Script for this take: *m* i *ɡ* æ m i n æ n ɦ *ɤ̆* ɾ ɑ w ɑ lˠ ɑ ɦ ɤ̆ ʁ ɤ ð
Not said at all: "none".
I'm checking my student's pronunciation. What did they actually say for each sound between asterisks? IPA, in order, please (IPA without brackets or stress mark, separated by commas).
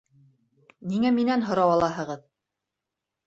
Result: n, ŋ, ŏ